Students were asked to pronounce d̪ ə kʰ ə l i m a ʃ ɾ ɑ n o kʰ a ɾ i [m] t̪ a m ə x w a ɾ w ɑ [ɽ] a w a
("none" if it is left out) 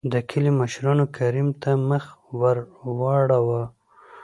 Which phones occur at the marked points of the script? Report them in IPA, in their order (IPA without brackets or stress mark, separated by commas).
m, ɽ